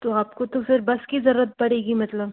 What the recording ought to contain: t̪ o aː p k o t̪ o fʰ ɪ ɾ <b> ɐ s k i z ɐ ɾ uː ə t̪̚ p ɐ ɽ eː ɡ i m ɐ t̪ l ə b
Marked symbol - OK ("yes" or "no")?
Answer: yes